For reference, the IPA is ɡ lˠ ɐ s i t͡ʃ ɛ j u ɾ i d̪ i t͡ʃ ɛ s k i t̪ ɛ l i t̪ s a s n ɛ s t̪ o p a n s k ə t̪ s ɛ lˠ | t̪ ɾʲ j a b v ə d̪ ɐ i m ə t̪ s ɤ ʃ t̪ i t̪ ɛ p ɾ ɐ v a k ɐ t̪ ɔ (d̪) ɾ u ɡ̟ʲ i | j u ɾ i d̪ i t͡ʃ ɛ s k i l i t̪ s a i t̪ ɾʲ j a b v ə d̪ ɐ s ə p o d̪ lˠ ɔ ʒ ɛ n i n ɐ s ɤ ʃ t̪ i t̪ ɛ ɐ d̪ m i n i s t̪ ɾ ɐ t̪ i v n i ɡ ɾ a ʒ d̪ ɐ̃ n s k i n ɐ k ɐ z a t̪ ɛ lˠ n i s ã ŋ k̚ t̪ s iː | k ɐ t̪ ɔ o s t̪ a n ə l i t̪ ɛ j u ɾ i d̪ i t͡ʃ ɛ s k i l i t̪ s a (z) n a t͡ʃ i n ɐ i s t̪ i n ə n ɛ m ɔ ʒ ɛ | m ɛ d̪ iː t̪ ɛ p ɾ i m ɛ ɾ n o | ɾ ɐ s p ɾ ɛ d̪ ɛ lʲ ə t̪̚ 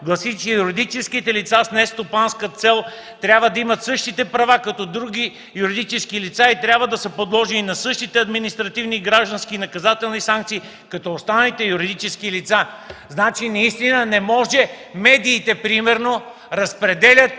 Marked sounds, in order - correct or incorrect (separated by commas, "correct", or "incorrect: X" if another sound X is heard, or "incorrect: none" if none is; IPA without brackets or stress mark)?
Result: correct, correct